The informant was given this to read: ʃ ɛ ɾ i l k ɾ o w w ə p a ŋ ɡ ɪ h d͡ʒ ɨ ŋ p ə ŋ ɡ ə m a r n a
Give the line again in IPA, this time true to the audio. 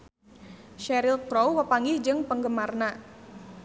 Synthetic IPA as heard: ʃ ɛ ɾ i l k ɾ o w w ə p a ŋ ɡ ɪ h d͡ʒ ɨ ŋ p ə ŋ ɡ ə m a r n a